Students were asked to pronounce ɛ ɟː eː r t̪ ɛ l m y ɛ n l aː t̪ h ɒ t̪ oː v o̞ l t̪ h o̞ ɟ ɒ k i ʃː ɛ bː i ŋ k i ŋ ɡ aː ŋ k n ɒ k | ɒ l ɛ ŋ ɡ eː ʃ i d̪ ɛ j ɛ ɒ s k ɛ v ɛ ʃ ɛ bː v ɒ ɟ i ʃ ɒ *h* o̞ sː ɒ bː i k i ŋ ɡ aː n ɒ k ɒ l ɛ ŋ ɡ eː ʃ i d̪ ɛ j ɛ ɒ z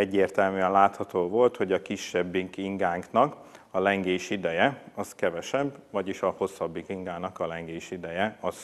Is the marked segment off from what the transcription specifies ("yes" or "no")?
no